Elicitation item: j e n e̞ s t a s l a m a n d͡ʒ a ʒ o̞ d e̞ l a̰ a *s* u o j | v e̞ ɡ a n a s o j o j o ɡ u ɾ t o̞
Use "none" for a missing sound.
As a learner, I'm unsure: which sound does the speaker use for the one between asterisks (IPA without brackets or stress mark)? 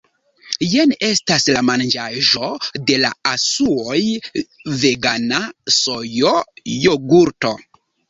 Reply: s